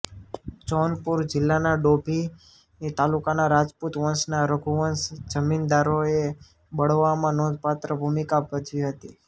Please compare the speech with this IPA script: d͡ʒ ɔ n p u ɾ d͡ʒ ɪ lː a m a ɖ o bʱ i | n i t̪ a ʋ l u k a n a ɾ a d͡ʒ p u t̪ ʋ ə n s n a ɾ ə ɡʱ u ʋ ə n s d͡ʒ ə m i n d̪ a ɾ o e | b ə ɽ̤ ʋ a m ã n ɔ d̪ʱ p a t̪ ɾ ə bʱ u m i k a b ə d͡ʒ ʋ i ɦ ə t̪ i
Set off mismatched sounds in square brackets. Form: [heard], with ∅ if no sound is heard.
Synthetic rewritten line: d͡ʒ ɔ n p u ɾ d͡ʒ ɪ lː a [n] a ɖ o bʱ i | n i t̪ a [∅] l u k a n a ɾ a d͡ʒ p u t̪ ʋ ə n s n a ɾ ə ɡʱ u ʋ ə n s d͡ʒ ə m i n d̪ a ɾ o e | b ə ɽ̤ ʋ a m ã n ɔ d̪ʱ p a t̪ ɾ ə bʱ u m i k a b ə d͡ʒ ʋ i ɦ ə t̪ i